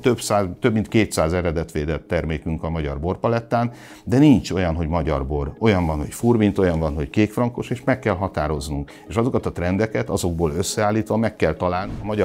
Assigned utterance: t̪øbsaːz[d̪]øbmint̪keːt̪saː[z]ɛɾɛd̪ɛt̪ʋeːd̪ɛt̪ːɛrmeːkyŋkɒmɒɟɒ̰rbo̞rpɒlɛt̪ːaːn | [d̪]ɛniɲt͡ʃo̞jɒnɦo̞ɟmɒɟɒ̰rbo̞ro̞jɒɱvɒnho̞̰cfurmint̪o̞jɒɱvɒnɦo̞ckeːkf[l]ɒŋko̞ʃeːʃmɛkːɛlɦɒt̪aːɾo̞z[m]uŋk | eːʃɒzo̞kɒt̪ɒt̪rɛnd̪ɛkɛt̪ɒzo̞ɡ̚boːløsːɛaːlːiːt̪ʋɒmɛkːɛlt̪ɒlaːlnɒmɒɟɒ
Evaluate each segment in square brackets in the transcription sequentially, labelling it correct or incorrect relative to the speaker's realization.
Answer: incorrect: t̪, correct, correct, incorrect: r, incorrect: n

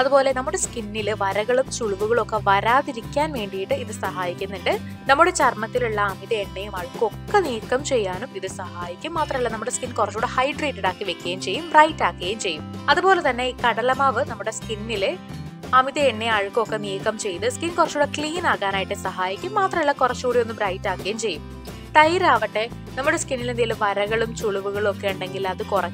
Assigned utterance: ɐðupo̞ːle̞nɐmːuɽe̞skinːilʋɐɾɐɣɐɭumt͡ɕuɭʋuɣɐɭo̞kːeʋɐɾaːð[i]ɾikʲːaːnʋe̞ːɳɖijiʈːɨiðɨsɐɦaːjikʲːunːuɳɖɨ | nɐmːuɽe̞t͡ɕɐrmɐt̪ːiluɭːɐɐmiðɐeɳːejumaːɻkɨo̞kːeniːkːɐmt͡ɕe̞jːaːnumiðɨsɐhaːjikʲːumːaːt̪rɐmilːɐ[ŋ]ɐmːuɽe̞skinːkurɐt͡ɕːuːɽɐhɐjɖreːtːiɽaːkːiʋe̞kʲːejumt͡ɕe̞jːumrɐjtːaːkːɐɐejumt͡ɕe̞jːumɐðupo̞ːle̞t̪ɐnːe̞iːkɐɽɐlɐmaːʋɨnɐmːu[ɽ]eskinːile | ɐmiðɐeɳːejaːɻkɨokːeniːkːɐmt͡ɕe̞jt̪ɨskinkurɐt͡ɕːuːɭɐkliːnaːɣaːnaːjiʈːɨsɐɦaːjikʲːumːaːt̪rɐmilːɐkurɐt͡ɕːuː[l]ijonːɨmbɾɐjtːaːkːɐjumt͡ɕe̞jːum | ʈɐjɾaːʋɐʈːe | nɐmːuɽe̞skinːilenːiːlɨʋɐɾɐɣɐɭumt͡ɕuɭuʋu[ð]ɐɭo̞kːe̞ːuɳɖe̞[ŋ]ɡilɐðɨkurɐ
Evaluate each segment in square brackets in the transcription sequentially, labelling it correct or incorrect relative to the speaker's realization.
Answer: correct, incorrect: n, correct, incorrect: ɽ, incorrect: ɣ, correct

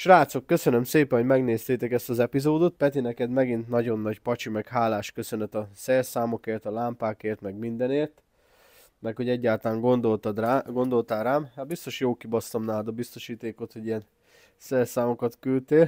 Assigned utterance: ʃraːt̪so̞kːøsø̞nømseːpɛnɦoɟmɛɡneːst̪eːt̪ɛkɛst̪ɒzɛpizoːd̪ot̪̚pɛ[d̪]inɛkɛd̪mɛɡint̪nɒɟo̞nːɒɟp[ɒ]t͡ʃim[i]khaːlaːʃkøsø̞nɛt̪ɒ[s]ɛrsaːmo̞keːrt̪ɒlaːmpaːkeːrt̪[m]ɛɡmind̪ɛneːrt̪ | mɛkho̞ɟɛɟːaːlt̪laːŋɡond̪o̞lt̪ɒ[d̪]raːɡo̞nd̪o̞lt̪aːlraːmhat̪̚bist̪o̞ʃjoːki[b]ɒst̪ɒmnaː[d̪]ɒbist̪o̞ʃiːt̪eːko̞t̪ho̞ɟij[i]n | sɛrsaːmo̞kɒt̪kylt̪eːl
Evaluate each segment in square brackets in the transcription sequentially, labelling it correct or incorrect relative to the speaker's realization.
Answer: incorrect: t̪, correct, incorrect: ɛ, correct, correct, correct, correct, correct, incorrect: ɛ

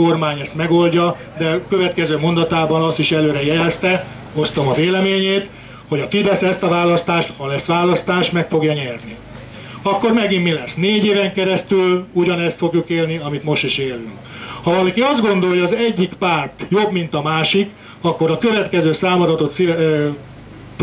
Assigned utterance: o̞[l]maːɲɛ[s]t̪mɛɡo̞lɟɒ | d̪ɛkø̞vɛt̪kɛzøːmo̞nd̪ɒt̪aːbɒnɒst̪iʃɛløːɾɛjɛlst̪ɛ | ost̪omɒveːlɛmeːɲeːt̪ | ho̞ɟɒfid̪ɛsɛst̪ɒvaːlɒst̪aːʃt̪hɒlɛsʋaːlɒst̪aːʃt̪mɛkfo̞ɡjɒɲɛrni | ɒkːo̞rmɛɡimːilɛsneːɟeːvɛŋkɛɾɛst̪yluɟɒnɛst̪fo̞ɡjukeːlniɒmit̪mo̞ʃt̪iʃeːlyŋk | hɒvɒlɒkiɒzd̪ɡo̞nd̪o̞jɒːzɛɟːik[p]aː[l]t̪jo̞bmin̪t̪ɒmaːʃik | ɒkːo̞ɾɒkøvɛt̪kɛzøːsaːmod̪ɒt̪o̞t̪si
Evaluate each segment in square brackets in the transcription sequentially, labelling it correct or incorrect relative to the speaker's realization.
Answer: incorrect: r, correct, correct, incorrect: r

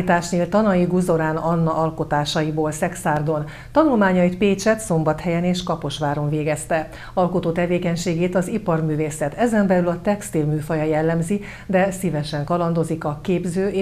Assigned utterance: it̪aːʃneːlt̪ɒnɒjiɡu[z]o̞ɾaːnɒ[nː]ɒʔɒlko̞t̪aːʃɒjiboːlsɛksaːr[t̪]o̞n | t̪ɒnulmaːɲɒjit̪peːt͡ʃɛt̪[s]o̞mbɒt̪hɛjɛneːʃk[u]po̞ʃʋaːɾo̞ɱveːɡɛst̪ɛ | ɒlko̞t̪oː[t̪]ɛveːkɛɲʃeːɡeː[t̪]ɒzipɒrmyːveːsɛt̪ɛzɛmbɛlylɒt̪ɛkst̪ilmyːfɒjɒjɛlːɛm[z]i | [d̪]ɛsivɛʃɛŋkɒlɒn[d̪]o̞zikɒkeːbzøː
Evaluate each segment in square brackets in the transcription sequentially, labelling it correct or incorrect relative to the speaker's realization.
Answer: correct, correct, incorrect: d̪, correct, incorrect: ɒ, correct, correct, correct, correct, correct

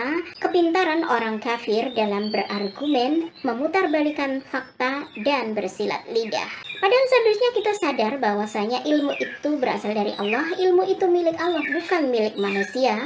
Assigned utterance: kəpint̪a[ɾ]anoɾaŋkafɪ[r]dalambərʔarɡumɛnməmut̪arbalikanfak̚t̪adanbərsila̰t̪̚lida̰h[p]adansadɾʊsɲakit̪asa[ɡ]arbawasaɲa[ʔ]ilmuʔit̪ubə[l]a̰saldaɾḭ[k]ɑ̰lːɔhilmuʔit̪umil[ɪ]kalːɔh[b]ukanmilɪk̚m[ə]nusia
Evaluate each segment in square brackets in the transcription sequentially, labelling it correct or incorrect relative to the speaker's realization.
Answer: correct, correct, correct, incorrect: d, correct, incorrect: ɾ, incorrect: ʔ, correct, correct, incorrect: a

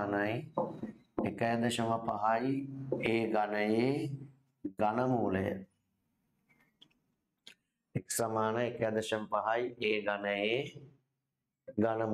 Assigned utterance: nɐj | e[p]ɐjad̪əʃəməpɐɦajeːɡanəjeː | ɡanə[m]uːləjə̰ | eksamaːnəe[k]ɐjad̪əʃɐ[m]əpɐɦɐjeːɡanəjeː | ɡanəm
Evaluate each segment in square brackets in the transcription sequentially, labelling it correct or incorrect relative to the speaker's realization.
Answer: incorrect: k, correct, correct, correct

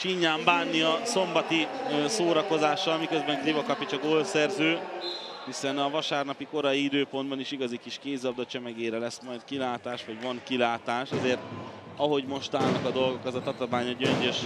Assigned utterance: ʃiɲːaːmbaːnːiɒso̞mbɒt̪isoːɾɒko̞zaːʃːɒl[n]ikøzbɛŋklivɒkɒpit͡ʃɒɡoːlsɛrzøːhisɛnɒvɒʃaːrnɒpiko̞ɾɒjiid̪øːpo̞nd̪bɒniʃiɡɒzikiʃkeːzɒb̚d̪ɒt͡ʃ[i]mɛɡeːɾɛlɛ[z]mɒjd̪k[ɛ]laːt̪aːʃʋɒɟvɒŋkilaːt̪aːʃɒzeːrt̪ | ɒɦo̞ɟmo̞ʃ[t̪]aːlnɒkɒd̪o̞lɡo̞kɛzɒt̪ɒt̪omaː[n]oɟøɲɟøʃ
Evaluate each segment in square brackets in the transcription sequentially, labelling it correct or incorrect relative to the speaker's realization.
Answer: incorrect: m, incorrect: ɛ, incorrect: s, incorrect: i, correct, incorrect: ɲ

